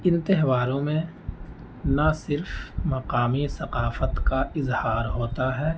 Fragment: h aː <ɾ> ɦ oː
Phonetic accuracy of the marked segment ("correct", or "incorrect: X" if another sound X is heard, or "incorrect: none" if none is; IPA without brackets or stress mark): correct